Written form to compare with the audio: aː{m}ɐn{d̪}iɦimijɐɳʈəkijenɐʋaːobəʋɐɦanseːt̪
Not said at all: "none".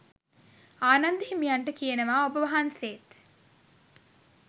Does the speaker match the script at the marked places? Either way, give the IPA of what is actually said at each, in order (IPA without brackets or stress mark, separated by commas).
n, d̪